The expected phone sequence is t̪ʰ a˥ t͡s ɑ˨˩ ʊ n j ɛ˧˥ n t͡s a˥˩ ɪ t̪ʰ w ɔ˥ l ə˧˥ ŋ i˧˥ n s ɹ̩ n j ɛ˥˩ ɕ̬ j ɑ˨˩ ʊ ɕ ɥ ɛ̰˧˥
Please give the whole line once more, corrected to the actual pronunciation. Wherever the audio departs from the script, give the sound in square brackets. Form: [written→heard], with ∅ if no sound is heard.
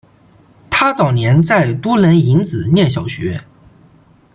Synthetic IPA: t̪ʰ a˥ t͡s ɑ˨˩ ʊ n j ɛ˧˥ n t͡s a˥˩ ɪ [t̪ʰ→t̪] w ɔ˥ l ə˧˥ [ŋ→n] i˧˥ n [s→t͡s] ɹ̩ n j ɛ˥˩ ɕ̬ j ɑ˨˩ ʊ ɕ ɥ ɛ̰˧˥